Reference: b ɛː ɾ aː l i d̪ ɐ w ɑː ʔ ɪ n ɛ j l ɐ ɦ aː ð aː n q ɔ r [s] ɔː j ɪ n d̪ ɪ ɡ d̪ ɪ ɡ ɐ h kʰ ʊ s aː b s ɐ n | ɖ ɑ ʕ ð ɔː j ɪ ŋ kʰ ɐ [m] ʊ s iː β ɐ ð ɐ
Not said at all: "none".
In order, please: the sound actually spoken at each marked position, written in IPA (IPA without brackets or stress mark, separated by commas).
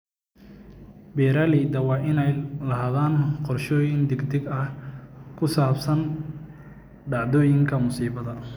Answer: ʃ, m